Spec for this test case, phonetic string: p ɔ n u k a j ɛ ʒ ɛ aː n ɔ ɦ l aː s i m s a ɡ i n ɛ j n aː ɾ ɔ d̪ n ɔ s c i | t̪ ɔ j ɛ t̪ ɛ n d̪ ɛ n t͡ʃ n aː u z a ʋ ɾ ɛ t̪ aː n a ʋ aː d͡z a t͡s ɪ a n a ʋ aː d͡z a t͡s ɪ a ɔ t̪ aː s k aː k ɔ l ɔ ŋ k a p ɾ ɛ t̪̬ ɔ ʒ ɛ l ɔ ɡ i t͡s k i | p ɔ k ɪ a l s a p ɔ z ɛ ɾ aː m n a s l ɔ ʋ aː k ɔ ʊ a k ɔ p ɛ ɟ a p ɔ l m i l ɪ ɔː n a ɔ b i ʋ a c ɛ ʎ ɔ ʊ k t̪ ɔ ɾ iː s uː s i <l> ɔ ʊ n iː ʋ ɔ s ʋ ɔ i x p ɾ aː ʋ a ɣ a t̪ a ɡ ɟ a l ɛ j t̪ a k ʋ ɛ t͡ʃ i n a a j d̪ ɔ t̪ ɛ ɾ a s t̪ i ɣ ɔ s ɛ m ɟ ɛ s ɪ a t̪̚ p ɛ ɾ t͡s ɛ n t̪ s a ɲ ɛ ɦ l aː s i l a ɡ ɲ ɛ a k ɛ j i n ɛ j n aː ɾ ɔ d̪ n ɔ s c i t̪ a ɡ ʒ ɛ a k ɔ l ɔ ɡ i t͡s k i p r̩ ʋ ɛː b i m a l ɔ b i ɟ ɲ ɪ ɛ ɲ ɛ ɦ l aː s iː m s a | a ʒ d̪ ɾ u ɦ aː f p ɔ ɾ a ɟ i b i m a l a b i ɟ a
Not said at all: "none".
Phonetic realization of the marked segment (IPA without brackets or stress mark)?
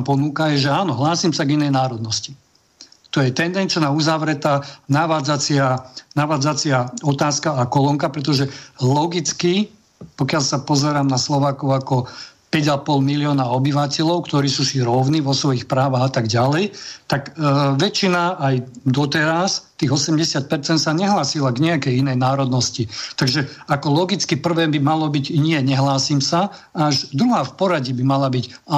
ɾ